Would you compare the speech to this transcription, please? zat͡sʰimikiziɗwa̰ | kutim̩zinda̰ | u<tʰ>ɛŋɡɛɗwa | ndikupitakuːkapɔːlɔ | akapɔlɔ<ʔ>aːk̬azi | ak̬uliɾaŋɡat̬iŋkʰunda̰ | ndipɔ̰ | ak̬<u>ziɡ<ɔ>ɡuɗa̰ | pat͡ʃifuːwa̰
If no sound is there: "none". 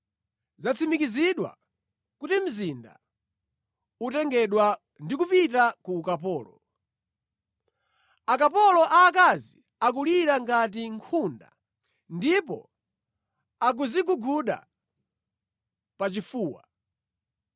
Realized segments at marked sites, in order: t, ʔ, u, u

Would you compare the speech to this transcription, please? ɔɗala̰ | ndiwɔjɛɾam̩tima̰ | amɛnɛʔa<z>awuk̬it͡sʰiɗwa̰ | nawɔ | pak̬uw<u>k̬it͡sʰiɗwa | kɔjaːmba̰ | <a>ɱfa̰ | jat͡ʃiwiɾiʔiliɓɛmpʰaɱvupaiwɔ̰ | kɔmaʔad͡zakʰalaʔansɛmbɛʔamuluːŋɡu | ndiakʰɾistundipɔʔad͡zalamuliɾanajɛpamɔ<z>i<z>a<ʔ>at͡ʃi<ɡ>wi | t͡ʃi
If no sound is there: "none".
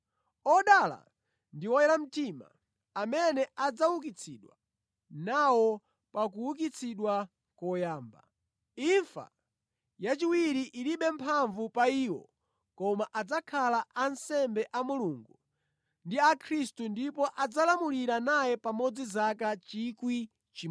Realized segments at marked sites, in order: d͡z, u, i, d͡z, z, k, k

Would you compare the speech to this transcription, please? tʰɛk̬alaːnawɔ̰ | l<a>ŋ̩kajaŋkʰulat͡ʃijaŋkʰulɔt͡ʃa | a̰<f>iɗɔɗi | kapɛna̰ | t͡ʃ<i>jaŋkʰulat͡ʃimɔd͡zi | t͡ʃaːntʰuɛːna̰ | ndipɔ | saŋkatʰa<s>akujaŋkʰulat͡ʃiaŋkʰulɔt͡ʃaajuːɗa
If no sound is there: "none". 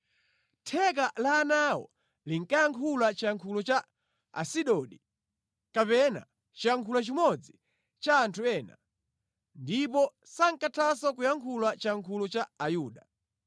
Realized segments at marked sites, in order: i, s, i, s

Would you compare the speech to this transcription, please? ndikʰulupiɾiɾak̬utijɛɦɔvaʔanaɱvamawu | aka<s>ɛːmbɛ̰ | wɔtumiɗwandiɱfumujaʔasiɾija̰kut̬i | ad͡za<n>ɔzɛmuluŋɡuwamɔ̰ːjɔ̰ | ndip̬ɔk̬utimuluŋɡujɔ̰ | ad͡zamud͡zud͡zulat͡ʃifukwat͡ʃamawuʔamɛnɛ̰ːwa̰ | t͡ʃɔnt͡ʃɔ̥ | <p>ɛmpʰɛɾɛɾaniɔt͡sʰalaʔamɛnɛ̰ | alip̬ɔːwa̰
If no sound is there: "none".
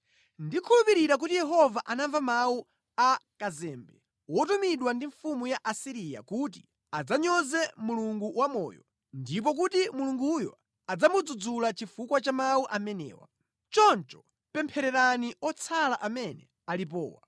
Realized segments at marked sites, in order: z, ɲ, p

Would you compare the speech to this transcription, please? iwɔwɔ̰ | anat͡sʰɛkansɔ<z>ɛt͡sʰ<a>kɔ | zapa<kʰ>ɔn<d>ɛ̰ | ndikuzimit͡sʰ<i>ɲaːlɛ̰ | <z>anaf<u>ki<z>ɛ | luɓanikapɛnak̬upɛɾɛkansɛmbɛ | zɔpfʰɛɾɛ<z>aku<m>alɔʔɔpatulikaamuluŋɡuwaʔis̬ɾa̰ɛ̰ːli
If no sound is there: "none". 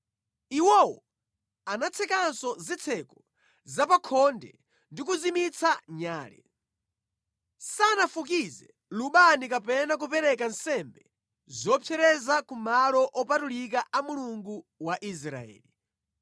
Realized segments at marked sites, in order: z, ɛ, kʰ, d, a, s, u, z, z, m

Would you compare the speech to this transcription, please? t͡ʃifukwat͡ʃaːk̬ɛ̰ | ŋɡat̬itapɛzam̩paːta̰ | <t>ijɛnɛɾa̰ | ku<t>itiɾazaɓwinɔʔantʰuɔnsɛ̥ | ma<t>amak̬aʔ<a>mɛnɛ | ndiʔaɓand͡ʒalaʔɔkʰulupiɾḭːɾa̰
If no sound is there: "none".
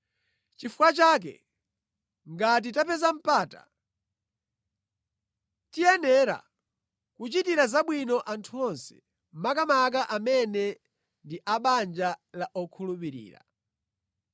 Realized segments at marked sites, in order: t, t͡ʃ, k, a

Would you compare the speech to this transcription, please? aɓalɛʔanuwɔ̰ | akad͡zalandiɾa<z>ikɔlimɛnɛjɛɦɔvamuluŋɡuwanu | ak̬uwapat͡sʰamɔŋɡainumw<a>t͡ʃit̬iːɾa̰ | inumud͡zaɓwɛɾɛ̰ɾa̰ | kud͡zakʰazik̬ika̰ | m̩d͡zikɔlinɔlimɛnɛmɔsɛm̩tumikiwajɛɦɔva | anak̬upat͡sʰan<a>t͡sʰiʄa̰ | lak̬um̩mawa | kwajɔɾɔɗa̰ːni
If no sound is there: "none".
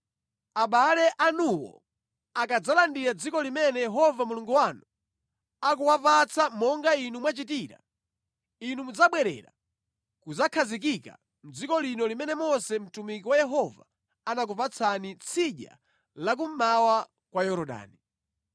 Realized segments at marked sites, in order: d͡z, a, i

